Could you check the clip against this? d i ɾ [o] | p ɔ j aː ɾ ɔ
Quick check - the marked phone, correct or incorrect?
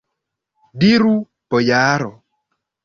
incorrect